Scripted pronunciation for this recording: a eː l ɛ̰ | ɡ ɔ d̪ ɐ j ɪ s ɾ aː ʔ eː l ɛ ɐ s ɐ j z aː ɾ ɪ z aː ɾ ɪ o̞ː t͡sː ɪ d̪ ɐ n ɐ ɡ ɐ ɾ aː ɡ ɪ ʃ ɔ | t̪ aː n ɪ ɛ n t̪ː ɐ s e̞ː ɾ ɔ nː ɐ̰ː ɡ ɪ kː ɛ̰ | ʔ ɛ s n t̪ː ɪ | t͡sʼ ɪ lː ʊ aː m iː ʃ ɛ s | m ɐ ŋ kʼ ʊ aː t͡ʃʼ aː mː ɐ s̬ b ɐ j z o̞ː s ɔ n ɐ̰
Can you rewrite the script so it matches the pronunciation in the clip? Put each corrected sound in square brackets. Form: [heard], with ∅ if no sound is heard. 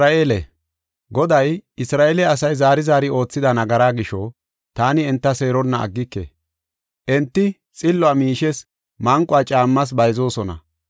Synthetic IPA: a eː l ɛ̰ | ɡ ɔ d̪ ɐ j ɪ s ɾ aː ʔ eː l ɛ ɐ s ɐ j z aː ɾ ɪ z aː ɾ ɪ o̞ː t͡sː ɪ d̪ ɐ n ɐ ɡ ɐ ɾ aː ɡ ɪ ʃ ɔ | t̪ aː n ɪ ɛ n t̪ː ɐ s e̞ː ɾ ɔ nː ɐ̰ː [ɡː] ɪ kː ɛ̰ | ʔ ɛ [∅] n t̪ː ɪ | t͡sʼ ɪ lː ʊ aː m iː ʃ ɛ s | m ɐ ŋ kʼ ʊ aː t͡ʃʼ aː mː ɐ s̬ b ɐ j z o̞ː s ɔ n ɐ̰